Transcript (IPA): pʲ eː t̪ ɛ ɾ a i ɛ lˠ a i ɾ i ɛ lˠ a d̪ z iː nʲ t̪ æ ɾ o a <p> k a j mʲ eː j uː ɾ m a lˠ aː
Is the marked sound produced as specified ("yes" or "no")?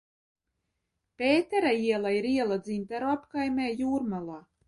yes